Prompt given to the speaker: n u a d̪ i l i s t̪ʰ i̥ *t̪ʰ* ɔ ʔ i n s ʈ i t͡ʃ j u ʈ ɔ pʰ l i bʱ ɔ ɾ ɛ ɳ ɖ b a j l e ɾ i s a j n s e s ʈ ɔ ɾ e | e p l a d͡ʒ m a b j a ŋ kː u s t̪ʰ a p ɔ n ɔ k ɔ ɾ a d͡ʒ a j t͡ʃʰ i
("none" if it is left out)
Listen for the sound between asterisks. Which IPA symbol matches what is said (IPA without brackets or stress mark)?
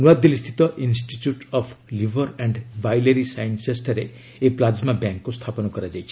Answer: t̪